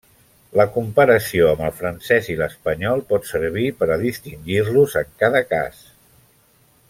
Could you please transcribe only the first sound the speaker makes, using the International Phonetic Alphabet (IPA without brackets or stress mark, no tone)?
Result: l